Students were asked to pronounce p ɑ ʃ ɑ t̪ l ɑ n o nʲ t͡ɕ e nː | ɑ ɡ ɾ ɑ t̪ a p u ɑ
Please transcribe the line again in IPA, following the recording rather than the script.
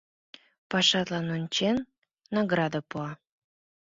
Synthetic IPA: p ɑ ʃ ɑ t̪ l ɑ n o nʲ t͡ɕ e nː | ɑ ɡ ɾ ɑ d̪ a p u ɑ